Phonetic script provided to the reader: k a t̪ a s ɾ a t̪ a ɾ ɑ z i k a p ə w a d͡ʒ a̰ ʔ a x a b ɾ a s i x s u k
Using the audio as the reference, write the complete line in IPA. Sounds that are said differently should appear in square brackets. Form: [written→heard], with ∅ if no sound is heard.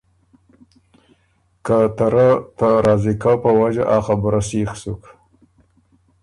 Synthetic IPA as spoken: k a t̪ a [s→∅] ɾ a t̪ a ɾ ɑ z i k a p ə w a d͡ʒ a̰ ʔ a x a b ɾ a s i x s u k